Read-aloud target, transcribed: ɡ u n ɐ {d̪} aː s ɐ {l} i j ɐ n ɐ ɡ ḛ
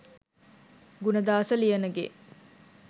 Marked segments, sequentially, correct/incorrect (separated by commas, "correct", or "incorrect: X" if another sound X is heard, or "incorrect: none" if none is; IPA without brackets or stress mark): correct, correct